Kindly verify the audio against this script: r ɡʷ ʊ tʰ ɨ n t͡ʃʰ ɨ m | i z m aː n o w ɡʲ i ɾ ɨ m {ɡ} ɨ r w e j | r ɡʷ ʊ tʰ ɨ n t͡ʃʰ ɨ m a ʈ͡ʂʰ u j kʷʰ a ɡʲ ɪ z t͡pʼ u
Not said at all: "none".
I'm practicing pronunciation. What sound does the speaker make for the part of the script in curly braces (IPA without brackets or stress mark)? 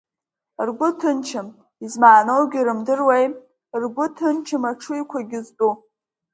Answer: d